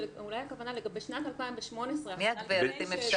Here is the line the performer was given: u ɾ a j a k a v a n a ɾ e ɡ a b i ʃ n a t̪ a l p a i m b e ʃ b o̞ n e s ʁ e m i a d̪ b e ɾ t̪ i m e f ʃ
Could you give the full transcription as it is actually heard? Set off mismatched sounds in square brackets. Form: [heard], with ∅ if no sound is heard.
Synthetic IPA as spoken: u [l] a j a k a v a n a [l] e ɡ a b [e] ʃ n a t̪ a l p a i m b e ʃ [m] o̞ n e s ʁ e m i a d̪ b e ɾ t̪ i m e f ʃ